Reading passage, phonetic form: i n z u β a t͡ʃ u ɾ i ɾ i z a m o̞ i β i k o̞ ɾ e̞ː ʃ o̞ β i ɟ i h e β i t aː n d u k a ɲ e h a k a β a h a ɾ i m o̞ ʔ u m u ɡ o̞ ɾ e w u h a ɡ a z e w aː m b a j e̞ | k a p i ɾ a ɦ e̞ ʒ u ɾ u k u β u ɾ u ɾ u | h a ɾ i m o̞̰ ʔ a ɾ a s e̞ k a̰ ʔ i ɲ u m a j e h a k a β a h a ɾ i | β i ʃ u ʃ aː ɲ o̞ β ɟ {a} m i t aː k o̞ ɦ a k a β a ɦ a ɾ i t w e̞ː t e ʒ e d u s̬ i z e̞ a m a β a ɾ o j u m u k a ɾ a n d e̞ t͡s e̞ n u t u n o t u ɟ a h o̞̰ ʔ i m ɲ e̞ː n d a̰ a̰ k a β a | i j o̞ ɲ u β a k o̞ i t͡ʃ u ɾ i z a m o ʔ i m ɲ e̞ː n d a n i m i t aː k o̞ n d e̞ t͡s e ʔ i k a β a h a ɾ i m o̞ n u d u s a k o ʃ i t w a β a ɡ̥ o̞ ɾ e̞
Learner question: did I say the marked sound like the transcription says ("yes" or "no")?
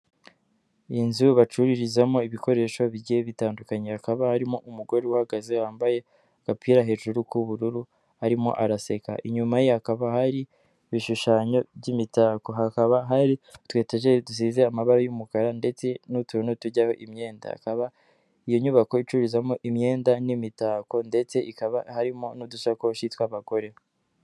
no